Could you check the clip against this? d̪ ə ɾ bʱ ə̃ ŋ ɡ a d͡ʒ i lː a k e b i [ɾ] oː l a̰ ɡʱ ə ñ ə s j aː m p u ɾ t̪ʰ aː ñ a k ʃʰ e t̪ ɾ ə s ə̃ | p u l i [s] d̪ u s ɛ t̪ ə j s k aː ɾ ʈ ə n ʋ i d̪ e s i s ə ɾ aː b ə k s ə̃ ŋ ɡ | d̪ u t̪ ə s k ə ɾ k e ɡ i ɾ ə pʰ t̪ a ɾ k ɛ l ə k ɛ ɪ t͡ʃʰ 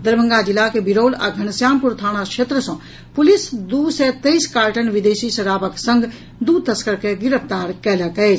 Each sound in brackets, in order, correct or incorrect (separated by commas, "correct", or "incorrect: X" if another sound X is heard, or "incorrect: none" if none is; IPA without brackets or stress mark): correct, correct